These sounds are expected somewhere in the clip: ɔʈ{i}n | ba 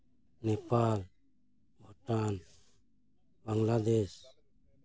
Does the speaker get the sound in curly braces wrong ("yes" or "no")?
yes